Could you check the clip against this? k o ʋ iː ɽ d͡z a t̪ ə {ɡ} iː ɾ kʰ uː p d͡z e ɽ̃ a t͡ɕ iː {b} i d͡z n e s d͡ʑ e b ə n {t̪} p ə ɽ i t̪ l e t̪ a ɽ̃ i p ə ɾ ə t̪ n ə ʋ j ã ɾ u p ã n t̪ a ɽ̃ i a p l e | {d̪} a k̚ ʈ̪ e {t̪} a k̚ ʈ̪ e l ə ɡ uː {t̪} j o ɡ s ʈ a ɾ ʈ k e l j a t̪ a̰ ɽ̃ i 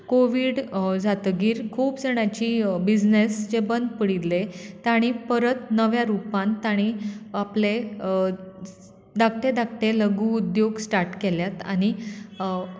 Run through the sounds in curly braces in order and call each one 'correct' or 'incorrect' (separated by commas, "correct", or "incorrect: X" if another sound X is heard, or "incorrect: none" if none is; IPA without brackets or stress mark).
correct, correct, incorrect: d̪, correct, incorrect: d̪, incorrect: d̪